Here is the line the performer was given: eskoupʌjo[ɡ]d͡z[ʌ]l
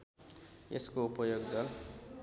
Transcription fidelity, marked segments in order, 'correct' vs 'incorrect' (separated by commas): correct, correct